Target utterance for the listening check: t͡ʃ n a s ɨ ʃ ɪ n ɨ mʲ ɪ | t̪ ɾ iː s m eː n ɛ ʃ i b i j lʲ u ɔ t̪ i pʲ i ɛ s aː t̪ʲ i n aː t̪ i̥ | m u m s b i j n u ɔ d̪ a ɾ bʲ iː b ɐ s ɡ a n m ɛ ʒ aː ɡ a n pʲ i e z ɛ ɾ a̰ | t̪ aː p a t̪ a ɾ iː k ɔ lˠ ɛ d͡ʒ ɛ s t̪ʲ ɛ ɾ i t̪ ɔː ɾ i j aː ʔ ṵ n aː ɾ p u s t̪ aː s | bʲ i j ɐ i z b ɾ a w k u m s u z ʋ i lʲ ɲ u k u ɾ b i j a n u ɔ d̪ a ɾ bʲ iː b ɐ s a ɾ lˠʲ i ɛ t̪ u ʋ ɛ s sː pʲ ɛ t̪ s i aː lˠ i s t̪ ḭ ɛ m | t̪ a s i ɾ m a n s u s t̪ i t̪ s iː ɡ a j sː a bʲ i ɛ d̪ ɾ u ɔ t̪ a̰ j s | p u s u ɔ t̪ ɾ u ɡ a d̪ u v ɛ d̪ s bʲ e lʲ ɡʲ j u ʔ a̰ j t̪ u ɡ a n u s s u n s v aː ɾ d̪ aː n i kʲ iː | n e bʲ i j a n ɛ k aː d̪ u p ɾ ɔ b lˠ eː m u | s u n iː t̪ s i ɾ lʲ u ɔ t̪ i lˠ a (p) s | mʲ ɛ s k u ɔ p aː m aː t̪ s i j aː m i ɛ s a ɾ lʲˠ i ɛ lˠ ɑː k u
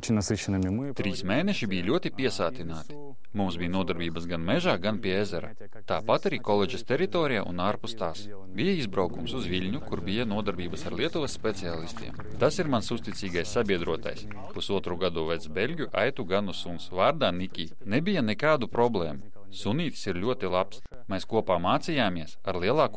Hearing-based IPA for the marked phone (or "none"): p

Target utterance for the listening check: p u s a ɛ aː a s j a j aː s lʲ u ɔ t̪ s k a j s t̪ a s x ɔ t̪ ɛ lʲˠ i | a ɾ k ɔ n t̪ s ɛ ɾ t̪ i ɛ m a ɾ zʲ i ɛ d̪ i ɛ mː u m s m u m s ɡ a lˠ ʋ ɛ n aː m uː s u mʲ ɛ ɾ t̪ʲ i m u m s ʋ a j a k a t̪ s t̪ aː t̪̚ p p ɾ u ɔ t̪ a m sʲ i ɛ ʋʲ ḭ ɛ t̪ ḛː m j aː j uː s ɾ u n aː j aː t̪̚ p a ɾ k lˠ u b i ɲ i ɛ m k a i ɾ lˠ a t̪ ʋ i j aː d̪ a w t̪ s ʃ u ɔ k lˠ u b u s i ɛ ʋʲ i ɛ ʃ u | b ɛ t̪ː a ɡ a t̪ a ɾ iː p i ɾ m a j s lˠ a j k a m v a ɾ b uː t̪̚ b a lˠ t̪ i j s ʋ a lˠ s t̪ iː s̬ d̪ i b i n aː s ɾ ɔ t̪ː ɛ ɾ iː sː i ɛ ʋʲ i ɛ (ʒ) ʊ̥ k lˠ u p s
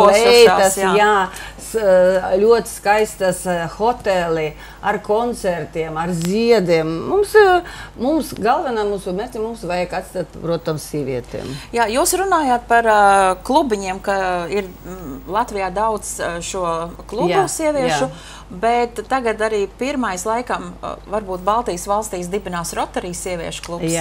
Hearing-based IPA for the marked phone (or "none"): ʃ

